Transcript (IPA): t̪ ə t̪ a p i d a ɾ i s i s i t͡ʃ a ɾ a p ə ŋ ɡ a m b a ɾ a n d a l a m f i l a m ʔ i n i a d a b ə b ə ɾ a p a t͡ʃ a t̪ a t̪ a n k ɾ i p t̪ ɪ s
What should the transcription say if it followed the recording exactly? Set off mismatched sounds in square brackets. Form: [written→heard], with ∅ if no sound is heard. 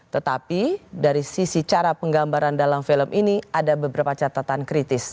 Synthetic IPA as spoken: t̪ ə t̪ a p i d a ɾ i s i s i t͡ʃ a ɾ a p ə ŋ ɡ a m b a ɾ a n d a l a m f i l [a→ə] m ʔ i n i a d a b ə b ə ɾ a p a t͡ʃ a t̪ a t̪ a n k ɾ i [p→∅] t̪ ɪ s